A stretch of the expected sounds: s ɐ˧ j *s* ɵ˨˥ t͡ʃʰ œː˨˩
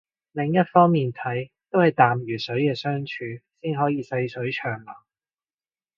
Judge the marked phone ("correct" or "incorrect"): correct